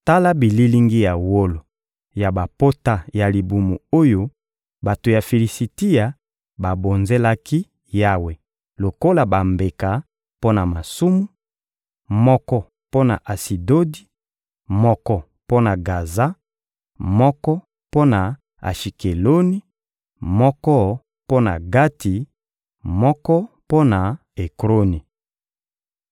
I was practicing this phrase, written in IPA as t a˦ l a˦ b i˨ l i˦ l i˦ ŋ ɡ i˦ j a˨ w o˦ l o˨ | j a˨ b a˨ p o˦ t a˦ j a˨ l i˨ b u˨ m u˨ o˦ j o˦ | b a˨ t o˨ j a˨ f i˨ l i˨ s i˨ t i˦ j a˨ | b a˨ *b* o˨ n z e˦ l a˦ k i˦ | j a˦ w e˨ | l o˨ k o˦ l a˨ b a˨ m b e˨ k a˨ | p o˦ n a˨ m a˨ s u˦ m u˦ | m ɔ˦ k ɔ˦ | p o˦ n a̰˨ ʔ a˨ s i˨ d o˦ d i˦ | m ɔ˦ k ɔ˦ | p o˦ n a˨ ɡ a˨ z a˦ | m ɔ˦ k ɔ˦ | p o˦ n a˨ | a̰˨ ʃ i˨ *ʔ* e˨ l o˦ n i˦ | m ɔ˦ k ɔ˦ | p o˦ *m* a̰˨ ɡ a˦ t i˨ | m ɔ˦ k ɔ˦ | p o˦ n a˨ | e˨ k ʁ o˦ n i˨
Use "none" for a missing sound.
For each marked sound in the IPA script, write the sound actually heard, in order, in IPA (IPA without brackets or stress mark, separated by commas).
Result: b, k, n